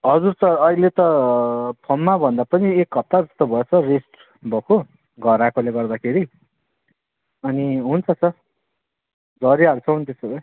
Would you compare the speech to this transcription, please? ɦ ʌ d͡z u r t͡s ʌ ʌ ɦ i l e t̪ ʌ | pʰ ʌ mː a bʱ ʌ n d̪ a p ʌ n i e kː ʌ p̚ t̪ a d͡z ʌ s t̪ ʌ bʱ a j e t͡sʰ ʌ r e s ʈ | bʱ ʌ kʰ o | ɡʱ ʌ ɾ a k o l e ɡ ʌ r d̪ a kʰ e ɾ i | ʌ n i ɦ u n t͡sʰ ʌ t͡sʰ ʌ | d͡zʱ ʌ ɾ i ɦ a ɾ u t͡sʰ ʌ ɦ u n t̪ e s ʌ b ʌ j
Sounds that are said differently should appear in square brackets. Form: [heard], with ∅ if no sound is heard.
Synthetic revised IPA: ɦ ʌ d͡z u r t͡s ʌ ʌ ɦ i l e t̪ ʌ | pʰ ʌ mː a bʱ ʌ n d̪ a p ʌ n i e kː ʌ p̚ t̪ a d͡z ʌ s t̪ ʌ bʱ [ʌ] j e t͡sʰ ʌ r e s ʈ | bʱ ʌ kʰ o | ɡʱ ʌ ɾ a k o l e ɡ ʌ r d̪ a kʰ e ɾ i | ʌ n i ɦ u n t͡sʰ ʌ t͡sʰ ʌ | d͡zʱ ʌ ɾ i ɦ a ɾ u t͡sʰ ʌ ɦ u n t̪ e s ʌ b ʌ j

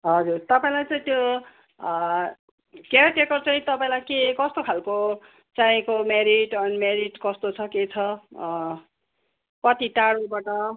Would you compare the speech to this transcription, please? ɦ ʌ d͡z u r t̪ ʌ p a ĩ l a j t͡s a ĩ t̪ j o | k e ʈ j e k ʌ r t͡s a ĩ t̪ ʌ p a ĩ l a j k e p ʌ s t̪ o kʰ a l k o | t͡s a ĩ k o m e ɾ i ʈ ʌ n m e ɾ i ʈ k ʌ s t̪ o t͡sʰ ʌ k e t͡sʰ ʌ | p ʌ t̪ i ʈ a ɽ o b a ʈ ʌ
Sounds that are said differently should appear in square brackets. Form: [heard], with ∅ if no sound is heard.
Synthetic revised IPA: ɦ ʌ d͡z u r t̪ ʌ p a ĩ l a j t͡s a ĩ t̪ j o | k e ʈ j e k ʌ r t͡s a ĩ t̪ ʌ p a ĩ l a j k e [k] ʌ s t̪ o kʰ a l k o | t͡s a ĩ k o m e ɾ i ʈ ʌ n m e ɾ i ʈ k ʌ s t̪ o t͡sʰ ʌ k e t͡sʰ ʌ | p ʌ t̪ i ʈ a ɽ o b a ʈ ʌ

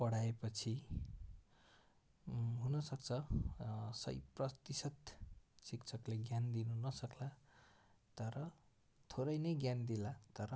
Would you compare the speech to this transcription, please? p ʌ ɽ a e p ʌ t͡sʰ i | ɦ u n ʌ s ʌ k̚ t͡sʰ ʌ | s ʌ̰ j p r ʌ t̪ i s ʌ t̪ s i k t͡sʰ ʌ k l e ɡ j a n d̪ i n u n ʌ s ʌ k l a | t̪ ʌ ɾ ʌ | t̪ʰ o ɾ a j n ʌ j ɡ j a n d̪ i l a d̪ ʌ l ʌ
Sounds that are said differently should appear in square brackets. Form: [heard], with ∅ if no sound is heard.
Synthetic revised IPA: p ʌ ɽ a e p ʌ t͡sʰ i | ɦ u n ʌ s ʌ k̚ t͡sʰ ʌ | s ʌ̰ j p r ʌ t̪ i s ʌ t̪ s i k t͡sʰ ʌ k l e ɡ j a n d̪ i n u n ʌ s ʌ k l a | t̪ ʌ ɾ ʌ | t̪ʰ o ɾ [ʌ] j n ʌ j ɡ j a n d̪ i l a [t̪] ʌ [ɾ] ʌ

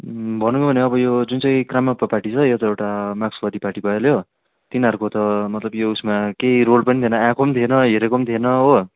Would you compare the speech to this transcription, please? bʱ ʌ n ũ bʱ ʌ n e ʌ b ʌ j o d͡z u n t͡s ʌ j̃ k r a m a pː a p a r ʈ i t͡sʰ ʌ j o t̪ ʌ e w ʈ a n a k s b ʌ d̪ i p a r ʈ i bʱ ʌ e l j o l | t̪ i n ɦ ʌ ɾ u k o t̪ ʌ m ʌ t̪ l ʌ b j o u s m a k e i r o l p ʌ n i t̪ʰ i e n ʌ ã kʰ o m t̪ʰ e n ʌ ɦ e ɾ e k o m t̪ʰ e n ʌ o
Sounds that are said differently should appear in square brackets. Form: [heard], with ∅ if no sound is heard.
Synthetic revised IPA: bʱ ʌ n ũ bʱ ʌ n e ʌ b ʌ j o d͡z u n t͡s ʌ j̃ k r a m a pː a p a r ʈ i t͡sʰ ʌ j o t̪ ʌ e w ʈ a [m] a k s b ʌ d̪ i p a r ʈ i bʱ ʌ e l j o [∅] | t̪ i n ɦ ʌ ɾ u k o t̪ ʌ m ʌ t̪ l ʌ b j o u s m a k e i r o l p ʌ n i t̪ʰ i e n ʌ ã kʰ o m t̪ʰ e n ʌ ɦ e ɾ e k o m t̪ʰ e n ʌ o

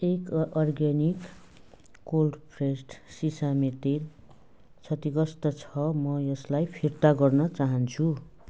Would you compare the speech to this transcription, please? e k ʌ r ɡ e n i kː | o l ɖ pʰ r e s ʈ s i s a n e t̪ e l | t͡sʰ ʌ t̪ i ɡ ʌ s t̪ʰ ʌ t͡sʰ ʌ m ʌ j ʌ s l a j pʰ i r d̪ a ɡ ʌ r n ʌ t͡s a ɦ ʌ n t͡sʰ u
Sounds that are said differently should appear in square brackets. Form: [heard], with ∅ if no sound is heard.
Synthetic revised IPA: e k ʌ r ɡ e n i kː | o l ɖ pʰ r e s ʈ s i s a [m] e t̪ e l | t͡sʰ ʌ t̪ i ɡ ʌ s [t̪] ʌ t͡sʰ ʌ m ʌ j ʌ s l a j pʰ i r [t̪] a ɡ ʌ r n ʌ t͡s a ɦ ʌ n t͡sʰ u

